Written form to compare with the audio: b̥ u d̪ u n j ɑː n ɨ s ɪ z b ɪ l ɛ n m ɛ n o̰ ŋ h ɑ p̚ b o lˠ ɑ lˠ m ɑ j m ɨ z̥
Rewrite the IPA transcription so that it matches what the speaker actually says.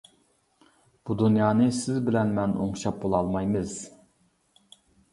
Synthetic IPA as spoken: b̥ u d̪ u n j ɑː n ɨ s ɪ z b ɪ l ɛ n m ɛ n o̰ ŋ ʃ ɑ p̚ b o lˠ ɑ lˠ m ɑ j m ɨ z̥